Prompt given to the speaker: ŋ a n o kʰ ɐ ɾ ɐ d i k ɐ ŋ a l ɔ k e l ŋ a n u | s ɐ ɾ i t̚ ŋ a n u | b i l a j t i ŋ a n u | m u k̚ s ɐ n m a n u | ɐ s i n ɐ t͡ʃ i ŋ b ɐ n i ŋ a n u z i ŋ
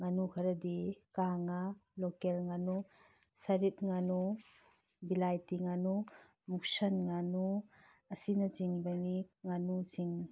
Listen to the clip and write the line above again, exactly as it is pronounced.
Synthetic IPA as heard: ŋ a n u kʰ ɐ ɾ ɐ d i k a ŋ a l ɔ k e l ŋ a n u | s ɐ ɾ i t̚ ŋ a n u | b i l a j t i ŋ a n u | m u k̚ s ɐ n ŋ a n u | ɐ s i n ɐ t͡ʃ i ŋ b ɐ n i ŋ a n u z i ŋ